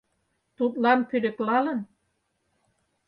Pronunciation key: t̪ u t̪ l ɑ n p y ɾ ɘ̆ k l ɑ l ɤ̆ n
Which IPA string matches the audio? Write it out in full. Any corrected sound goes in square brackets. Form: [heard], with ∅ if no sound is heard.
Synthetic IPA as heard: t̪ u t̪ l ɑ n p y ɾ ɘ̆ k l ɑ l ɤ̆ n